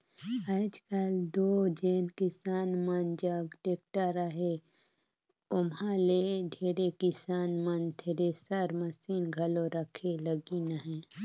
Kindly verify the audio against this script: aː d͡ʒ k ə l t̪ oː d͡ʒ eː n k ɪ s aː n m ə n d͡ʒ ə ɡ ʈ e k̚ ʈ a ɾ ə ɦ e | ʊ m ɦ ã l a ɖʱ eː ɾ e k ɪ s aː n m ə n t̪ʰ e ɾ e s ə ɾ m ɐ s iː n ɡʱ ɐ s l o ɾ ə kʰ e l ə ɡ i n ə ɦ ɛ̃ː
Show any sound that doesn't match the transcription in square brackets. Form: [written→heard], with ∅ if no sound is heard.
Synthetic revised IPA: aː d͡ʒ k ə l [t̪→d̪] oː d͡ʒ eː n k ɪ s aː n m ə n d͡ʒ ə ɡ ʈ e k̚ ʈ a ɾ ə ɦ e | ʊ m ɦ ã l [a→e] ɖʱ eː ɾ e k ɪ s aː n m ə n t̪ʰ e ɾ e s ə ɾ m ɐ s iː n ɡʱ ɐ [s→∅] l o ɾ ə kʰ e l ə ɡ i n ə ɦ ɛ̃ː